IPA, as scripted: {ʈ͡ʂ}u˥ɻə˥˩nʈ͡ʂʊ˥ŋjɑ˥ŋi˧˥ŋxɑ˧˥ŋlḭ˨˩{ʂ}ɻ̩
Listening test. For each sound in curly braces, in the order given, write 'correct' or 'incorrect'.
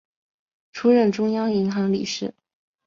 incorrect: ʈ͡ʂʰ, correct

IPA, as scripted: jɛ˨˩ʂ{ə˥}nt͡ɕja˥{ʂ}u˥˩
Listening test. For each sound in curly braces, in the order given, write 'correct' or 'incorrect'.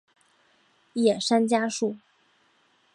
incorrect: a˥, correct

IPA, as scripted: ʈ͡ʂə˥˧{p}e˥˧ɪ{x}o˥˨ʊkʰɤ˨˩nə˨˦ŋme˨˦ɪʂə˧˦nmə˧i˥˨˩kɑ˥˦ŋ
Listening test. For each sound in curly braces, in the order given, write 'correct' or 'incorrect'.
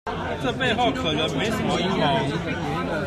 correct, correct

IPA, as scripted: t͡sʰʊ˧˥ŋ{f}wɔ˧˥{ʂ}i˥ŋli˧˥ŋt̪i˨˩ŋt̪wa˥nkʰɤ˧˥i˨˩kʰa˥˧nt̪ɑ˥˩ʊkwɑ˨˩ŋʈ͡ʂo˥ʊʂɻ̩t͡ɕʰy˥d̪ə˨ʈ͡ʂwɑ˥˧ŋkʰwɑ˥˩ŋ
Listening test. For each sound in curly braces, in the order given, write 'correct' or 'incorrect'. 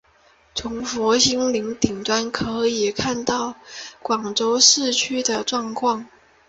correct, incorrect: ɕ

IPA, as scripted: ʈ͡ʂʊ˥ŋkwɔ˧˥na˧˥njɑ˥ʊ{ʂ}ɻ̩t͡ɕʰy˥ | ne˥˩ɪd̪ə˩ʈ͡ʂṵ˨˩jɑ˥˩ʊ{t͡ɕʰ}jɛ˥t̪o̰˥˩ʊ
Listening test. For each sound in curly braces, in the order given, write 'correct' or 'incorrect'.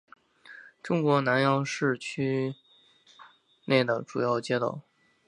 correct, incorrect: t͡ɕ

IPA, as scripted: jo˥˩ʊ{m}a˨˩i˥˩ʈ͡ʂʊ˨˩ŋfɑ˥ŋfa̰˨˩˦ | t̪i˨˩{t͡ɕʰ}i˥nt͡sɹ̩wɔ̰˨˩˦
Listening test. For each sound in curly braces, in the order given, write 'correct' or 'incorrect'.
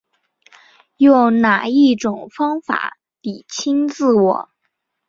incorrect: n, correct

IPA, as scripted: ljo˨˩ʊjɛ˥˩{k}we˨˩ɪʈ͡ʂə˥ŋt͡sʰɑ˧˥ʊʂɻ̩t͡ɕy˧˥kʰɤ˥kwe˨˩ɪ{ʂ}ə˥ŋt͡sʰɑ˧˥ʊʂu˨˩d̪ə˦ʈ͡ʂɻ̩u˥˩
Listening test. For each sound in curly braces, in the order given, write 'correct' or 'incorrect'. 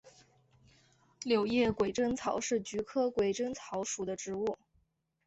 correct, incorrect: ʈ͡ʂ

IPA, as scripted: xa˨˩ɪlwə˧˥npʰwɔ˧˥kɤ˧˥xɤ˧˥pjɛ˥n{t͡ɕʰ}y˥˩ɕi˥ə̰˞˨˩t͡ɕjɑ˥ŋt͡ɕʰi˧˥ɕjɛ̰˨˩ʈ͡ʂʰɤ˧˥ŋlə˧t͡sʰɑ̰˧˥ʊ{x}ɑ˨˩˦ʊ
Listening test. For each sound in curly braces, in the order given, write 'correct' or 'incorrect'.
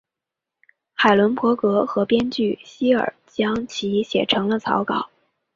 incorrect: t͡ɕ, incorrect: k

